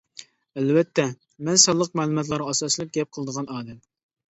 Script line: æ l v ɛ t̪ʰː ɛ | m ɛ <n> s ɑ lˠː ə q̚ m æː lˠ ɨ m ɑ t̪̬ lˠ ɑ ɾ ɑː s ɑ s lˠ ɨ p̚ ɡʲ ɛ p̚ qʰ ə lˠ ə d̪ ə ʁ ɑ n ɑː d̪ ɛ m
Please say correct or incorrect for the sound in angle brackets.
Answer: correct